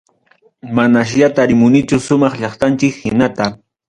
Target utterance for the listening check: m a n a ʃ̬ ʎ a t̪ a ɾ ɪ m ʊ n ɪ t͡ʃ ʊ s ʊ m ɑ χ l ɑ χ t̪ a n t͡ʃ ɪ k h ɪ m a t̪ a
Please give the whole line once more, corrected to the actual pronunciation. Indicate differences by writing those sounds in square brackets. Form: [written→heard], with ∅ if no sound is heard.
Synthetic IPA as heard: m a n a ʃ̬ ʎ a t̪ a ɾ ɪ m ʊ n ɪ t͡ʃ ʊ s ʊ m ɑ χ [l→ʎ] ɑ χ t̪ a n t͡ʃ ɪ k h ɪ [m→n] a t̪ a